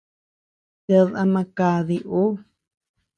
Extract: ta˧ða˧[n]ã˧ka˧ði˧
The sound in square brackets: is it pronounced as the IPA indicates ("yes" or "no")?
no